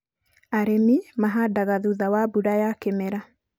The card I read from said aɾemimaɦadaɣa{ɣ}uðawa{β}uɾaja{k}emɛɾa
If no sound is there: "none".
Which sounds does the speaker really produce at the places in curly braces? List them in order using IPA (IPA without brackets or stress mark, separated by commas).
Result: ð, b, k